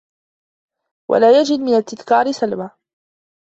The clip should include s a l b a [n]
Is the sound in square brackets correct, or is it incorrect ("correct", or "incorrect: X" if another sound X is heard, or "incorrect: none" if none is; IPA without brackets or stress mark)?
incorrect: none